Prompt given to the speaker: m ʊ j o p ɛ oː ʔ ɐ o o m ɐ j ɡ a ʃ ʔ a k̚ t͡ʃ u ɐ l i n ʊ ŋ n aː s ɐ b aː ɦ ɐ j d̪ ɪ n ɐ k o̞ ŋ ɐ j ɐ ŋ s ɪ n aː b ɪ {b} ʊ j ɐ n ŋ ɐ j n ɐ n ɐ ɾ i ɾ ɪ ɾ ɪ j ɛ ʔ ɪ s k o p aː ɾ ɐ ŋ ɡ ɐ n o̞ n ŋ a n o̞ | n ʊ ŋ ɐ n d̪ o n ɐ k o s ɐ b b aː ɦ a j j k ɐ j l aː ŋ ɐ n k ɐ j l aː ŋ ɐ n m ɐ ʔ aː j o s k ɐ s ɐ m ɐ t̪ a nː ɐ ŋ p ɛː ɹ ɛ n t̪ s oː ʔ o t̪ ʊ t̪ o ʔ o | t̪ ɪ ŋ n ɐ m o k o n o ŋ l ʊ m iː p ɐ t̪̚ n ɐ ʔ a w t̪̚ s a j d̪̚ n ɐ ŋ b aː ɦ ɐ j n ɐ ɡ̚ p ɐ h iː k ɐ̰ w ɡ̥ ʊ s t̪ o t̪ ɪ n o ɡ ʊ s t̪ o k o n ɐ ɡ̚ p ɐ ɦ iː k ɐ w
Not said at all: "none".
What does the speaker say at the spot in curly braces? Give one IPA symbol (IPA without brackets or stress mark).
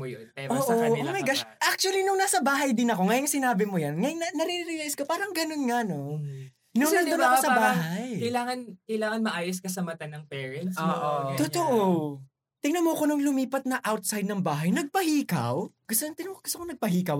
m